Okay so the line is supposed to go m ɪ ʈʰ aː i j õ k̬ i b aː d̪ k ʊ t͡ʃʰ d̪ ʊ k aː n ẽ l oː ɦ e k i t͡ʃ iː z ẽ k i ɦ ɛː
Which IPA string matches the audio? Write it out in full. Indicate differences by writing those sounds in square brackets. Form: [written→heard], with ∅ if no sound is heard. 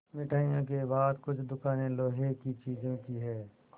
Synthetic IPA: m ɪ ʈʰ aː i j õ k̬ [i→e] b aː d̪ k ʊ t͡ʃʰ d̪ ʊ k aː n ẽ l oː ɦ e k i t͡ʃ iː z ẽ k i ɦ ɛː